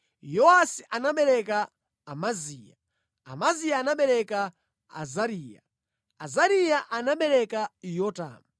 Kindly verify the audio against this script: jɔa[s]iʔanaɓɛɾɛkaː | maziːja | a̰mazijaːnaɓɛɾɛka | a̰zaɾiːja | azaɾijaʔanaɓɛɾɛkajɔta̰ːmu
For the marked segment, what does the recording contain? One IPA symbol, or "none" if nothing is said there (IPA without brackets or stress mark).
s